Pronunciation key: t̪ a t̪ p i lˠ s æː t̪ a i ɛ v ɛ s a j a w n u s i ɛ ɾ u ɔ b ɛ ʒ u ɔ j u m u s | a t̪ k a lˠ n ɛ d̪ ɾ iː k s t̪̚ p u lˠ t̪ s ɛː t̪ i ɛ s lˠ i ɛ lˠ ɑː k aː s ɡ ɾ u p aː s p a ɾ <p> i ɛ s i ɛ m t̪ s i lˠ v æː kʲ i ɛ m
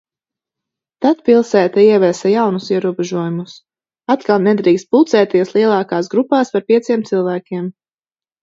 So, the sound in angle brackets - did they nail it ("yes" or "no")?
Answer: yes